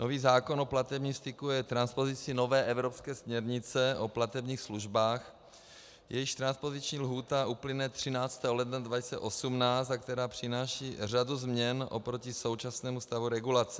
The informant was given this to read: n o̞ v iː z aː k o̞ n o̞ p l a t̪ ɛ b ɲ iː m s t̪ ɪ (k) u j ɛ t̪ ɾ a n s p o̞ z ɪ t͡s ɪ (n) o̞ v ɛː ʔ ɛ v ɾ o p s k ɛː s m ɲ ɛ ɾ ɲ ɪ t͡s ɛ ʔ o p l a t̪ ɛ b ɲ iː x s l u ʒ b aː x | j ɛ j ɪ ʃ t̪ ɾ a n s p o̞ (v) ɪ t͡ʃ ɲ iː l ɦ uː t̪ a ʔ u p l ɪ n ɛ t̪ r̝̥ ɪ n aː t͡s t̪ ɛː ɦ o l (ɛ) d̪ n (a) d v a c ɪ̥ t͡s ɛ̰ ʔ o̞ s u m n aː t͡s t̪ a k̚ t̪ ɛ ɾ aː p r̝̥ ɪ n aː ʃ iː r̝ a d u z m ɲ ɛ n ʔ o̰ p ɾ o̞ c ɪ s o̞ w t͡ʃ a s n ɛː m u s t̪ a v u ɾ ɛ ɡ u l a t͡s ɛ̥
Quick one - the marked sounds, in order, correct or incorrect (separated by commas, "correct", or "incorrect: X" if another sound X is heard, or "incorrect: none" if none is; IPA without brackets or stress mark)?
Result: correct, correct, incorrect: z, correct, correct